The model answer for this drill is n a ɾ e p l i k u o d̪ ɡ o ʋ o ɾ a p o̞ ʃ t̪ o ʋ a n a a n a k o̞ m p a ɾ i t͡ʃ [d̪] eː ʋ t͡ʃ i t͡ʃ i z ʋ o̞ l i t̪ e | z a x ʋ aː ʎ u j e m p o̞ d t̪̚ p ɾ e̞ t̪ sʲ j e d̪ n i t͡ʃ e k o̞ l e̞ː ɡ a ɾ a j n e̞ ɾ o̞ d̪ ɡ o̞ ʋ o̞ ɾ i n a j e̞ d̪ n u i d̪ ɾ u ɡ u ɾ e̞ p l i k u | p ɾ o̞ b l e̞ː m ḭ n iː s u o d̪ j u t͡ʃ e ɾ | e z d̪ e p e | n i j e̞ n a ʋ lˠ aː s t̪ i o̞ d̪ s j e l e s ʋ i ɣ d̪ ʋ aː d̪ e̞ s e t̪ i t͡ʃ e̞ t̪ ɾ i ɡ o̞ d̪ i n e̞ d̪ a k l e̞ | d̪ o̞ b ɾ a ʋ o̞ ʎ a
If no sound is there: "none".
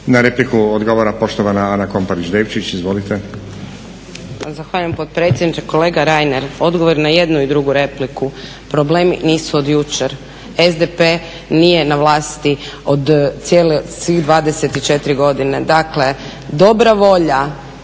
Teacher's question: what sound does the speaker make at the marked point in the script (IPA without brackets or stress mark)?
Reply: d̪